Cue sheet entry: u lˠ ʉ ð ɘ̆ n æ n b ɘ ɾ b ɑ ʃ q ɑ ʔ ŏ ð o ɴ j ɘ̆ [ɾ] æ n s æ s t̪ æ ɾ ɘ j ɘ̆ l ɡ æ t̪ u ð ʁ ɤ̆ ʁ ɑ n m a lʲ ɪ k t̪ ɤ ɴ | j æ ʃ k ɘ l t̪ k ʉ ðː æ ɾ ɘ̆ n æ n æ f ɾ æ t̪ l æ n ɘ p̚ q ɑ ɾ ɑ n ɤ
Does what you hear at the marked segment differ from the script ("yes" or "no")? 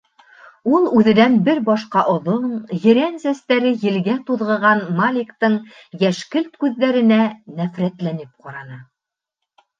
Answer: no